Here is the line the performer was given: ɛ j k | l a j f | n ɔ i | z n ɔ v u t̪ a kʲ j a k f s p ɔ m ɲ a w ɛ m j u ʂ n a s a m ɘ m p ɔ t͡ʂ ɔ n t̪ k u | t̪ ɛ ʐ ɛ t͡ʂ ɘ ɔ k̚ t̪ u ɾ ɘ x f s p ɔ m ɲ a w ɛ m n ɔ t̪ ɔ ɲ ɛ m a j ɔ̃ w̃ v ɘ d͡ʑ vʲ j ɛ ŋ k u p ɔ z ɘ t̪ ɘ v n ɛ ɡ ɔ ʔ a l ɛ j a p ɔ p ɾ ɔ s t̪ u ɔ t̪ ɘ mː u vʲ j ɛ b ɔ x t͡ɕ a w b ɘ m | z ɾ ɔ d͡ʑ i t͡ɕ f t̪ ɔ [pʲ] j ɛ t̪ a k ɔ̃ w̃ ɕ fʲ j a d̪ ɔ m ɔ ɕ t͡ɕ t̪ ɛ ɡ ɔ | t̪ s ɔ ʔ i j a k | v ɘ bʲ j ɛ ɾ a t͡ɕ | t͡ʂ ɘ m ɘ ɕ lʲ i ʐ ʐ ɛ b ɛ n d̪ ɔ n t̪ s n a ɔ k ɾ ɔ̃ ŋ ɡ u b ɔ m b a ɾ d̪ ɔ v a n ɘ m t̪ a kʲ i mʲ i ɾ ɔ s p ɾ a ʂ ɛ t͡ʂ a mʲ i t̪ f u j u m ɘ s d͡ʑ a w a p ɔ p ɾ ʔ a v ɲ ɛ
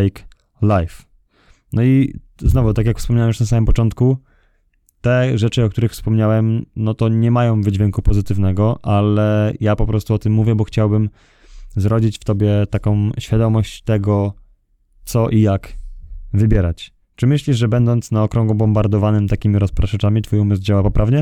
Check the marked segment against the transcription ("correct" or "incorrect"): incorrect